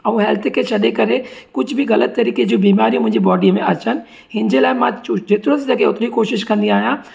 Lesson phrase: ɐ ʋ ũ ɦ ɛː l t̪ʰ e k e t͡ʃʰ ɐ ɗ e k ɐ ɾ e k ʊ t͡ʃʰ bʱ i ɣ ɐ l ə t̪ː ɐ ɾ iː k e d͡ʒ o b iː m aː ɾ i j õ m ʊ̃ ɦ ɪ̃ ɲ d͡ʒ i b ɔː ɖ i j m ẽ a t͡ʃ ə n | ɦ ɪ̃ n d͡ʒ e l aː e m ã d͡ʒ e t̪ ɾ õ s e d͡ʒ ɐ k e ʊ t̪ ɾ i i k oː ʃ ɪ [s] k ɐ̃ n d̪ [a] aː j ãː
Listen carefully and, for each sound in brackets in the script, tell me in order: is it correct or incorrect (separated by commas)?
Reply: incorrect, incorrect